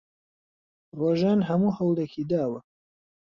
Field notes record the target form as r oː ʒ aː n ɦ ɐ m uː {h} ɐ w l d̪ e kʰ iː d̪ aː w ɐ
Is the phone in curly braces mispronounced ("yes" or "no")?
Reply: no